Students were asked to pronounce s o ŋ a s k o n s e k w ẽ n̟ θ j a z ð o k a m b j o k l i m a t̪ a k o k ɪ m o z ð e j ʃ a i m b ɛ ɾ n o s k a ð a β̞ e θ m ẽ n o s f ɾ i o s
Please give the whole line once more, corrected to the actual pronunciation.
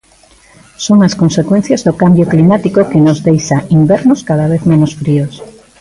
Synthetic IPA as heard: s o ŋ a s k o n s e k w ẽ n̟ θ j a z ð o k a m b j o k l i m a t̪ i k o k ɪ n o z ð e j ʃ a i m b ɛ ɾ n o s k a ð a β̞ e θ m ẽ n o s f ɾ i o s